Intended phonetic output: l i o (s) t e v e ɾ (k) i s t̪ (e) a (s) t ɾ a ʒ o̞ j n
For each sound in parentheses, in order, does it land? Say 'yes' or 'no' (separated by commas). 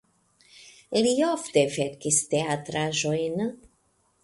no, yes, yes, no